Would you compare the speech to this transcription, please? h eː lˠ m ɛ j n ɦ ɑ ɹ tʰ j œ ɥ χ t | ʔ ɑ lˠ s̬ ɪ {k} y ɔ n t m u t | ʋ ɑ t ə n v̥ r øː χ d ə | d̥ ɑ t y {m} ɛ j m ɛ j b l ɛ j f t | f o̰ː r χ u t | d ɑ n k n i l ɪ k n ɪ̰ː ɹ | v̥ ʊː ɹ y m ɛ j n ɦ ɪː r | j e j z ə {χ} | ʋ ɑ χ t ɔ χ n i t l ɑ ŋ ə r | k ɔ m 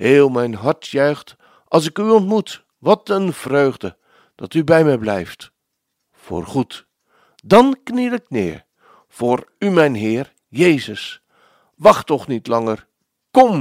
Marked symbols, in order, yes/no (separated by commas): yes, no, no